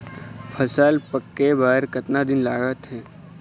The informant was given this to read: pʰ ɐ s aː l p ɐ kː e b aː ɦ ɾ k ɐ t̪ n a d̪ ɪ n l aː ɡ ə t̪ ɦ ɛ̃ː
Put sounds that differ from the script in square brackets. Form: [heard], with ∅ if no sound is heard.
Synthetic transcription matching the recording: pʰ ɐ s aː l p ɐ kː e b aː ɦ ɾ k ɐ t̪ n a d̪ ɪ n l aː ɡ ə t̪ ɦ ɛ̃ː